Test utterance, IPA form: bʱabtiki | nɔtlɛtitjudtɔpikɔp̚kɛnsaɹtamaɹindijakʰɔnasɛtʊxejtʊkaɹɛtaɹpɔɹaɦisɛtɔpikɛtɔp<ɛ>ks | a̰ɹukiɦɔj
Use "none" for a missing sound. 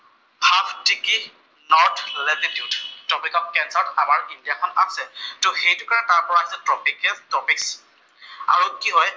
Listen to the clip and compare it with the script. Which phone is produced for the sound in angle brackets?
i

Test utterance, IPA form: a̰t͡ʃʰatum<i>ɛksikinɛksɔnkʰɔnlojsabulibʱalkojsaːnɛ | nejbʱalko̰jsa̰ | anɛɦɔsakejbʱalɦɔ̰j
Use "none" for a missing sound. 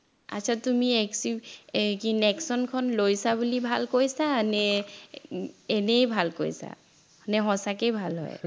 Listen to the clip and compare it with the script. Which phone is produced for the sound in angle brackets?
i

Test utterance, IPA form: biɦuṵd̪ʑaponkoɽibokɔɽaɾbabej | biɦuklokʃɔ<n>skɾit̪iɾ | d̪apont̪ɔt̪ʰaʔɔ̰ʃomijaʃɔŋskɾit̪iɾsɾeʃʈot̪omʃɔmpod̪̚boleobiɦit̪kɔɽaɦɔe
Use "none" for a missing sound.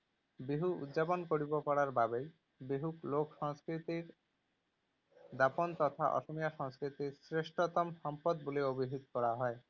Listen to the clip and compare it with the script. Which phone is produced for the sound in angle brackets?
ŋ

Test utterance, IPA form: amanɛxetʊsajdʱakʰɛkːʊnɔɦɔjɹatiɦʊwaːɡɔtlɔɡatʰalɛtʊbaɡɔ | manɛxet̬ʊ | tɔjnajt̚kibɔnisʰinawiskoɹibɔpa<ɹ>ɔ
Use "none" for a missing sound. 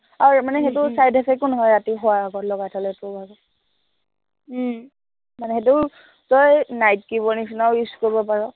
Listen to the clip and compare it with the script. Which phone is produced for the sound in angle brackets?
ɹ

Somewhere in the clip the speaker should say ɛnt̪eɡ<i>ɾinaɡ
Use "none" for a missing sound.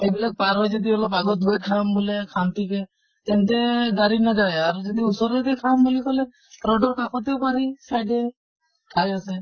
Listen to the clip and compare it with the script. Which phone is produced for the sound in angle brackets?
a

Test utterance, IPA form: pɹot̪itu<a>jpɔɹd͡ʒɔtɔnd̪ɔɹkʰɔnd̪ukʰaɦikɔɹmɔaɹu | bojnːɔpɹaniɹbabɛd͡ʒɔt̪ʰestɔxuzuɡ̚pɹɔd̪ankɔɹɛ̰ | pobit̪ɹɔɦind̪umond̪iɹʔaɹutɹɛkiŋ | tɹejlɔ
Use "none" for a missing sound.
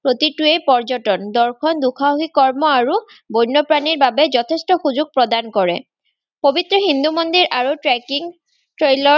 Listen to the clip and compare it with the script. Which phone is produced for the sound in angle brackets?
e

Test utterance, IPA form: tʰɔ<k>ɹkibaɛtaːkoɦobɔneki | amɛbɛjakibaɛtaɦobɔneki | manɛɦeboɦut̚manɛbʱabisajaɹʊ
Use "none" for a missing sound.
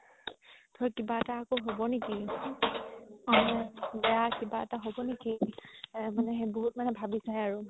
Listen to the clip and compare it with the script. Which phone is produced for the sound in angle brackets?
none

